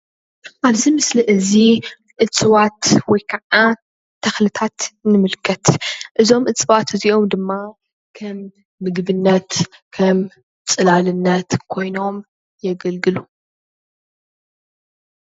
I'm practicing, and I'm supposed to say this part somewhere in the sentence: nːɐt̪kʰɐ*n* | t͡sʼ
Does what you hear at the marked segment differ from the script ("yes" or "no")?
yes